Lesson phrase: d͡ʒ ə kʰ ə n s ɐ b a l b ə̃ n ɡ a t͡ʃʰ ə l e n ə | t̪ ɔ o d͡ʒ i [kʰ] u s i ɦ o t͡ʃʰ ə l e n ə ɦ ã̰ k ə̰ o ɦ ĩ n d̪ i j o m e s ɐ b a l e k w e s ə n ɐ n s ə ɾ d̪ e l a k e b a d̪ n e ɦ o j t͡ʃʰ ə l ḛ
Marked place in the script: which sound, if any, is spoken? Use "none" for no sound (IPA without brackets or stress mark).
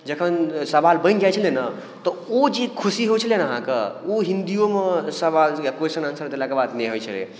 kʰ